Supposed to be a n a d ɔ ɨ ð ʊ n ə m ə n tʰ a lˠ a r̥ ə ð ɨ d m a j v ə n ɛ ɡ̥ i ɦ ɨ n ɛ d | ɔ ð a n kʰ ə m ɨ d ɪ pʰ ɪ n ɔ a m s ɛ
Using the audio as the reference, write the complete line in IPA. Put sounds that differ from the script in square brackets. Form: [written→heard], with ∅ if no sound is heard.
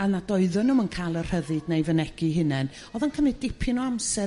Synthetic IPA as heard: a n a d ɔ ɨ ð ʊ n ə m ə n [tʰ→kʰ] a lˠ [a→ə] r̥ ə ð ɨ d [m→n] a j v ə n ɛ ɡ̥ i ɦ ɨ n ɛ [d→n] | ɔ ð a n kʰ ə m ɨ d ɪ pʰ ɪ n ɔ a m s ɛ